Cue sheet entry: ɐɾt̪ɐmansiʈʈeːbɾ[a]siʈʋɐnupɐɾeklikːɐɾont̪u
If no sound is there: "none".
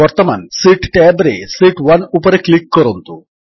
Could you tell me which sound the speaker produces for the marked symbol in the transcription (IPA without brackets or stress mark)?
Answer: e